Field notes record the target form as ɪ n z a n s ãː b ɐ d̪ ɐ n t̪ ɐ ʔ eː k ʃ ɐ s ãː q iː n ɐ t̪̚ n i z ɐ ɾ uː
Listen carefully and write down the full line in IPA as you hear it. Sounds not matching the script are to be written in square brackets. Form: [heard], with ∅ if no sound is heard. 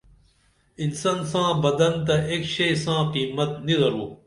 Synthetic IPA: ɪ n [s] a n s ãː b ɐ d̪ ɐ n t̪ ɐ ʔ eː k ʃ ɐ s ãː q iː [m] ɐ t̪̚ n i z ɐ ɾ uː

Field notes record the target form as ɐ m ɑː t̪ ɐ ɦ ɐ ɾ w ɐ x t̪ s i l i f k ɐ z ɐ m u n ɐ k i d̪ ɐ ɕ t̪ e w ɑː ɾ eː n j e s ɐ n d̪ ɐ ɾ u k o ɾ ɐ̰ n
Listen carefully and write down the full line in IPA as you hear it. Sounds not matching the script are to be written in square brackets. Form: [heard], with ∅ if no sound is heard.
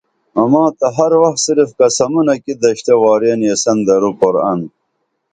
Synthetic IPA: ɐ m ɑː t̪ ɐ ɦ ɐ ɾ w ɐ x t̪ s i [ɾ] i f k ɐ [s] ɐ m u n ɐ k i d̪ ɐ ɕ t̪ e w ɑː ɾ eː n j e s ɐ n d̪ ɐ ɾ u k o ɾ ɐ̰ n

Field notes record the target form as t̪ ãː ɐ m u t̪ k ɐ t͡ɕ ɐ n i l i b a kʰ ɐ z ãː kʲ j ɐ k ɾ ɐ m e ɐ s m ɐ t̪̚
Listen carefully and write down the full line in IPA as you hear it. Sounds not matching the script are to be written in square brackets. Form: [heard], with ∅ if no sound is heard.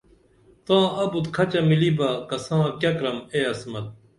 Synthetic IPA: t̪ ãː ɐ [b] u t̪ [kʰ] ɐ t͡ɕ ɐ [m] i l i b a [k] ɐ [s] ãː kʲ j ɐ k ɾ ɐ m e ɐ s m ɐ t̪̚

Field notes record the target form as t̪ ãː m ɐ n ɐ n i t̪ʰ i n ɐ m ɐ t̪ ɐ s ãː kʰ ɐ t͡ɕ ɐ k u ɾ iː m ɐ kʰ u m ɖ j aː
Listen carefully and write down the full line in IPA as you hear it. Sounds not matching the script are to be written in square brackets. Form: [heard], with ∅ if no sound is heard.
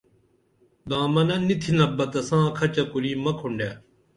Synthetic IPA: [d̪] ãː m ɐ n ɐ n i t̪ʰ i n ɐ [b] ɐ t̪ ɐ s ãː kʰ ɐ t͡ɕ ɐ k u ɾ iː m ɐ kʰ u [ɳ] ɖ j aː

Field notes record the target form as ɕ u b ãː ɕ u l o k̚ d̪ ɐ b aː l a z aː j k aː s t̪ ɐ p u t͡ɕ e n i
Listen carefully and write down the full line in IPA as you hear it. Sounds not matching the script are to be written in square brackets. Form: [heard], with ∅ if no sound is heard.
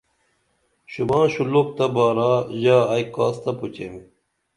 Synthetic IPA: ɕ u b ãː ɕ u l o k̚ [t̪] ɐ b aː [ɾ] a [ʑ] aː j k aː s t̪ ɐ p u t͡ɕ e [m] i

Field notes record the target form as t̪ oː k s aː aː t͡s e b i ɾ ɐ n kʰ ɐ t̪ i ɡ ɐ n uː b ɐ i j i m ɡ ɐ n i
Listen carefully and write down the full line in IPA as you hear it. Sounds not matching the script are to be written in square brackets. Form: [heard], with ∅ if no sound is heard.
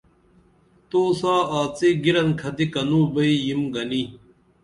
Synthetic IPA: t̪ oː [∅] s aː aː t͡s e [ɡ] i ɾ ɐ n kʰ ɐ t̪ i [k] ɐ n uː b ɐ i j i m ɡ ɐ n i

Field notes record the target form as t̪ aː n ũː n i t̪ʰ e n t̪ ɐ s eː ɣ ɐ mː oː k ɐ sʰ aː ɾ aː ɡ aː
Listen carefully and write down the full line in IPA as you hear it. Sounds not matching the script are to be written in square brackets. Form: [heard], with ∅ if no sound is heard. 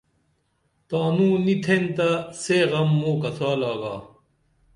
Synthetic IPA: t̪ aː n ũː n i t̪ʰ e n t̪ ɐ s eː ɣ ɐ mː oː k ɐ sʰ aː [l] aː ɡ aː

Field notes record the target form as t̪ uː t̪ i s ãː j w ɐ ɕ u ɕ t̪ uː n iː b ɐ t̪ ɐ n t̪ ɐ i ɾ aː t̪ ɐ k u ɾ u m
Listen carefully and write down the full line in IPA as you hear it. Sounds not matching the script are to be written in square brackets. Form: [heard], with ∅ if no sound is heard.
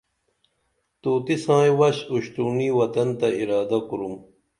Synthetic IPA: t̪ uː t̪ i s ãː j w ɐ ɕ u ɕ t̪ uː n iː [w] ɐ t̪ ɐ n t̪ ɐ i ɾ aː [d̪] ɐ k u ɾ u m

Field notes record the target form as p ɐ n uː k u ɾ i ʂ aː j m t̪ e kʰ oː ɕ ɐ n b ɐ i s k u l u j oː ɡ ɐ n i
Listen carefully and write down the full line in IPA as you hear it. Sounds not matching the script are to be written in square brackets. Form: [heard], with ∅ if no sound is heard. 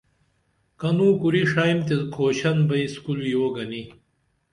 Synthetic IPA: [k] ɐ n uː k u ɾ i ʂ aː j m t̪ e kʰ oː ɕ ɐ n b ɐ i s k u l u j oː ɡ ɐ n i

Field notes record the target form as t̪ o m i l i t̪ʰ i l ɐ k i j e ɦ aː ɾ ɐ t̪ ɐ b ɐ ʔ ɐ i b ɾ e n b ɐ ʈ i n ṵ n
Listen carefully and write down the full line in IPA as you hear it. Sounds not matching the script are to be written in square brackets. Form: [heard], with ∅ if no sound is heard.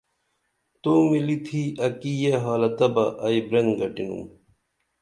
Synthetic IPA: t̪ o m i l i t̪ʰ i [∅] ɐ k i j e ɦ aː [l] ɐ t̪ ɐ b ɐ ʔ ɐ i b ɾ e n [ɡ] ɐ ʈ i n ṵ [m]

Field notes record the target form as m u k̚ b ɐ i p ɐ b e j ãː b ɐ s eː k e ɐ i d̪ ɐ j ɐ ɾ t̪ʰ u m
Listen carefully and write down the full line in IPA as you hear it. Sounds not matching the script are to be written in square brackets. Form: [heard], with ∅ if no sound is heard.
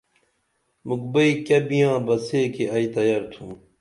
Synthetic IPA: m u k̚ b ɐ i [k] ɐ b [i] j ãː b ɐ s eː k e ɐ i [t̪] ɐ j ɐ ɾ t̪ʰ u m

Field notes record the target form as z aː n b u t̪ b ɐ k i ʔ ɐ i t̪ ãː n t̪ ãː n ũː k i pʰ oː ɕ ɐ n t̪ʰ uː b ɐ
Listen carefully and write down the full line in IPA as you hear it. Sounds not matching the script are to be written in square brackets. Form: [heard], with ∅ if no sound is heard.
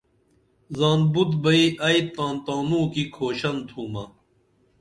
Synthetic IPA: z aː n b u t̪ b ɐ [∅] i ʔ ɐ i t̪ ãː n t̪ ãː n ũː k i [kʰ] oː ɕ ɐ n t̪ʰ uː [m] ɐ

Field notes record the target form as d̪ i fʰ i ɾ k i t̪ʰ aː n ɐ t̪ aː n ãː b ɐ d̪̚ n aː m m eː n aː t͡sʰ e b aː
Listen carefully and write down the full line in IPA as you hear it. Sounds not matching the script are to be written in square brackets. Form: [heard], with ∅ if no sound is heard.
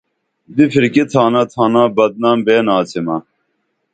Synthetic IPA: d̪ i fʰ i ɾ k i t̪ʰ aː n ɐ [t̪ʰ] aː n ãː b ɐ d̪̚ n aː m [b] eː n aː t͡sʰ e [m] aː

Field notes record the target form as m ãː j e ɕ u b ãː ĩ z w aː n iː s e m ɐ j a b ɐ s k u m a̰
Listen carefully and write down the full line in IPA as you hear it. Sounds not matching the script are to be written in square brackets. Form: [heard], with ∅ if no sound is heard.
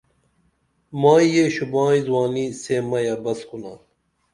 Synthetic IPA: m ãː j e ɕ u b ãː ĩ z w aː n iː s e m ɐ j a b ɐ s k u [n] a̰

